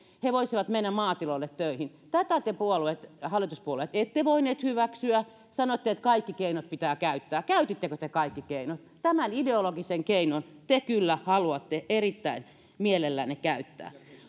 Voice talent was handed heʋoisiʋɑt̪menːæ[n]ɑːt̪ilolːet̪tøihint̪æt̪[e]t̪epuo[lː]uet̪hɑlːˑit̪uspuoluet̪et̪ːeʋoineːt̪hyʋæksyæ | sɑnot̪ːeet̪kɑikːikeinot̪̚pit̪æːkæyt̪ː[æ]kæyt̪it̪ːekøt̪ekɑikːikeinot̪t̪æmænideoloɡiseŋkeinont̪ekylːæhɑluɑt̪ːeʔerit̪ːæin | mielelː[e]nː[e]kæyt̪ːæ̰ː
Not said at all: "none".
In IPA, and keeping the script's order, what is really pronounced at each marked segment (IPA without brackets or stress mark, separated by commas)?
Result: m, æ, l, æː, æ, e